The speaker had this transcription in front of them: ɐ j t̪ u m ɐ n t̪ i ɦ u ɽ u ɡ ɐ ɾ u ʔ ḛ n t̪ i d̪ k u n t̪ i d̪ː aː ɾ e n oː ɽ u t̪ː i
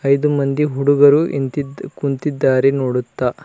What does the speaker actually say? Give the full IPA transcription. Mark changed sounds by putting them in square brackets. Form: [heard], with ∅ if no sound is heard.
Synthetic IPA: ɐ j [d̪] u m ɐ n [d̪] i ɦ u ɽ u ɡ ɐ ɾ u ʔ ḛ n t̪ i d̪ k u n t̪ i d̪ː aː ɾ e n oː ɽ u t̪ː [a]